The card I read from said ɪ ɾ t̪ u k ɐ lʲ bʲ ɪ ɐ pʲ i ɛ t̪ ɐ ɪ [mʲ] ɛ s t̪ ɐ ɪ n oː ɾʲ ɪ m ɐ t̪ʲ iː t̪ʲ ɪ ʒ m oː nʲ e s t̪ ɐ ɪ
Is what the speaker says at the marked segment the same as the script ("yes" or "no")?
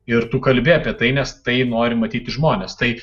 no